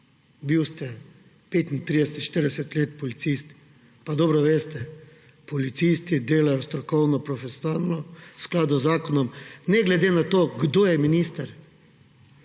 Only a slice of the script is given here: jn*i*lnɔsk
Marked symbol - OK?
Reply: no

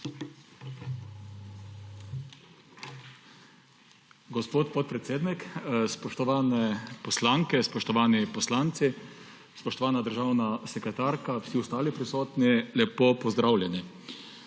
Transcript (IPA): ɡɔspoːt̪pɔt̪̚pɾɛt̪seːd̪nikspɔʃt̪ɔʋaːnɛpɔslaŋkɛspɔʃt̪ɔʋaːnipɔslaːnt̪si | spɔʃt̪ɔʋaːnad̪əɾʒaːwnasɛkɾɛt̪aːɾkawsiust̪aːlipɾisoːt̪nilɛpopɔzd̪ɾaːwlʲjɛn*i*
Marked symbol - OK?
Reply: yes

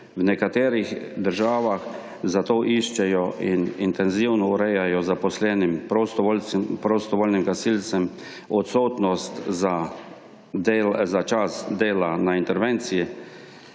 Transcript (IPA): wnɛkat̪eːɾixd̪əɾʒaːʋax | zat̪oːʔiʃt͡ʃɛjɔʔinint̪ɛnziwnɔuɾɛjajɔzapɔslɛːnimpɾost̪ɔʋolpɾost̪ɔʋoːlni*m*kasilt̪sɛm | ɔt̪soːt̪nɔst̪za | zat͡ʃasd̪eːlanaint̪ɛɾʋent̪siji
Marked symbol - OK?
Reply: yes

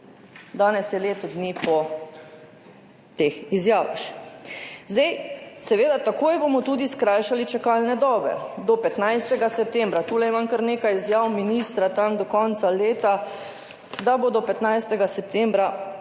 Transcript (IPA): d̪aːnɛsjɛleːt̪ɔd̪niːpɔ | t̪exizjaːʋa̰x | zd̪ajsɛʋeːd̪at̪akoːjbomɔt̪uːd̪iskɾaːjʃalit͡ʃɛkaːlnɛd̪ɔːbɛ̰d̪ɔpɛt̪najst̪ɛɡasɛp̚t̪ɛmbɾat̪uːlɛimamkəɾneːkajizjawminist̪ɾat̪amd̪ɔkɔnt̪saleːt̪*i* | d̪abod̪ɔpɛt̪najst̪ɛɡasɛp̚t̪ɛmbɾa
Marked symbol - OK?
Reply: no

